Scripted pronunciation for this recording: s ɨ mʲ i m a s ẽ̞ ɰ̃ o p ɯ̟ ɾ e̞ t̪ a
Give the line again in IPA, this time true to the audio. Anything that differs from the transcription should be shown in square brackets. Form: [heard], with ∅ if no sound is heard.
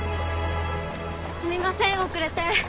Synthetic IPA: s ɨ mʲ i m a s ẽ̞ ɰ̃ o [k] ɯ̟ ɾ e̞ t̪ [e]